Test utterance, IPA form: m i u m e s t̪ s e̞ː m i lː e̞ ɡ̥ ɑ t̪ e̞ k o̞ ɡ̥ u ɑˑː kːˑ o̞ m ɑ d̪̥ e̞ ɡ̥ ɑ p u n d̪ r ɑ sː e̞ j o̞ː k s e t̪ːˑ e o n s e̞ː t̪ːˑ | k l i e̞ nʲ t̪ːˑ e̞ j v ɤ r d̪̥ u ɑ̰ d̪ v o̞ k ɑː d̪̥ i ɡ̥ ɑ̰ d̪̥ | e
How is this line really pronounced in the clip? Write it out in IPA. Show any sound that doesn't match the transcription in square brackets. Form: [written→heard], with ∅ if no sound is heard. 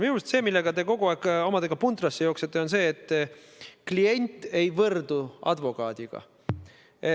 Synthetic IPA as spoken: m i u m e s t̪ s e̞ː m i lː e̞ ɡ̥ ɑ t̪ e̞ k o̞ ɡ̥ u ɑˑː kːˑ o̞ m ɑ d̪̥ e̞ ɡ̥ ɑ p u n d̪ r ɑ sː e̞ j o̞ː k s e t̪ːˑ e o n s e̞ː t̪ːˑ | k l i e̞ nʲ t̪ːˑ e̞ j v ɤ r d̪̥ u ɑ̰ d̪ v o̞ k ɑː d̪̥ i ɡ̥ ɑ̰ [d̪̥→∅] | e